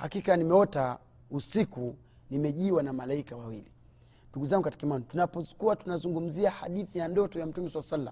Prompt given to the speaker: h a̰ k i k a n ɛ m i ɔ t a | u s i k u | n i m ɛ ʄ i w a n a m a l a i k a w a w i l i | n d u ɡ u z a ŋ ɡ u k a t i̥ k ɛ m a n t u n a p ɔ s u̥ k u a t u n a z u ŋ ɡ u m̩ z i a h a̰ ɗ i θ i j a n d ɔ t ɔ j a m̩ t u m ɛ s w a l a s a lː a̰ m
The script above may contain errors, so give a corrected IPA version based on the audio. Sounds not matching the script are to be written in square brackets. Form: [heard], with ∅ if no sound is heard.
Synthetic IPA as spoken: h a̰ k i k a n [i] m [ɛ] ɔ t a | u s i k u | n i m ɛ ʄ i w a n a m a l a i k a w a w i l i | n d u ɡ u z a ŋ ɡ u k a t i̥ k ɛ m a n t u n a p ɔ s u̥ k u a t u n a z u ŋ ɡ u m̩ z i a h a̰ ɗ i θ i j a n d ɔ t ɔ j a m̩ t u m ɛ s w a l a s a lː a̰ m